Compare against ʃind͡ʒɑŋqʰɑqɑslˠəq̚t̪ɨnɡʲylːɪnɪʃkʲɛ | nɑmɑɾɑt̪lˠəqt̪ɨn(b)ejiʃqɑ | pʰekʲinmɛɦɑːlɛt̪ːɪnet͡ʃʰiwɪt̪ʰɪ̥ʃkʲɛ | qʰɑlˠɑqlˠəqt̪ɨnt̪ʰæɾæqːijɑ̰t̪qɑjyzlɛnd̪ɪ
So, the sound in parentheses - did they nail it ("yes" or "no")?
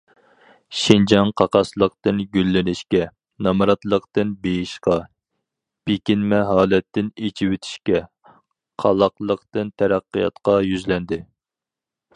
yes